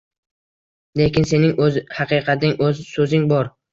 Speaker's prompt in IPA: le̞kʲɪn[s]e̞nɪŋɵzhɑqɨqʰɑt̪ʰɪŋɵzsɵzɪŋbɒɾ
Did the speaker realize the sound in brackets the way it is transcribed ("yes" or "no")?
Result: yes